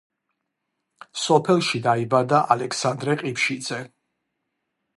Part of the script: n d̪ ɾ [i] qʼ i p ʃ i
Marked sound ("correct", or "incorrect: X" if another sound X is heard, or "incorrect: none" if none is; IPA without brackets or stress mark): incorrect: ɛ